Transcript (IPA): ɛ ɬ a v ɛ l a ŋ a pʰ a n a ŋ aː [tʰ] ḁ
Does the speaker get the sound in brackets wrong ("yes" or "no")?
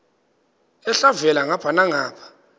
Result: yes